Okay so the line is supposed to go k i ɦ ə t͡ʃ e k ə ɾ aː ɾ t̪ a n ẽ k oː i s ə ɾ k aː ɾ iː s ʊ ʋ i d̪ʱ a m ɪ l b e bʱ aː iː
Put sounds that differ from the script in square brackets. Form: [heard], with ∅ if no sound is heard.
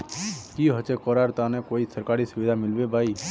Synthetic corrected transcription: k i ɦ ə t͡ʃ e k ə ɾ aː ɾ t̪ a n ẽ k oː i s ə ɾ k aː ɾ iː s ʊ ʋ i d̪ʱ a m ɪ l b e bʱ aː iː